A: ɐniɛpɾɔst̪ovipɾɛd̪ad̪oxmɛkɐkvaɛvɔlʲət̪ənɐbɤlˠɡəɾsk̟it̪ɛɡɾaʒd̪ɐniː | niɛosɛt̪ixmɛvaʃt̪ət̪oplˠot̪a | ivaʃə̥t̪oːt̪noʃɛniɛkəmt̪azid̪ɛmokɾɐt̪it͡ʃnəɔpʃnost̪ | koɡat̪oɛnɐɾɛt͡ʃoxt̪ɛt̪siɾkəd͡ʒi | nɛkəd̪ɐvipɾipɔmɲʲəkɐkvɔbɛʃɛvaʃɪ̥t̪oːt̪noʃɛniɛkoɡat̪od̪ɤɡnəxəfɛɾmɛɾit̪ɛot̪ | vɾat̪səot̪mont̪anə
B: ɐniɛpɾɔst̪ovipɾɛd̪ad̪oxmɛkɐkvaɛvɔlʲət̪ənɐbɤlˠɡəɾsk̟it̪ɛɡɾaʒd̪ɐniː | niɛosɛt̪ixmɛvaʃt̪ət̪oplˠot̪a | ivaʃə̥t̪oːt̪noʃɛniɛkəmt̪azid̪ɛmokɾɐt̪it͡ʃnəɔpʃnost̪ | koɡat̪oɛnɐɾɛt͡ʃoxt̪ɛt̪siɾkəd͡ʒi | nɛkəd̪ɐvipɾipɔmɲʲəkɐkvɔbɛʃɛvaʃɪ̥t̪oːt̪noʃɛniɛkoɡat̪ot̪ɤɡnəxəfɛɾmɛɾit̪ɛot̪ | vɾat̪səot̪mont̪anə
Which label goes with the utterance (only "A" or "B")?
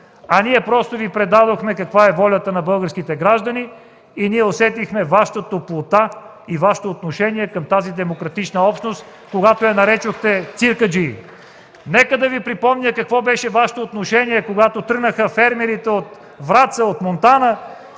B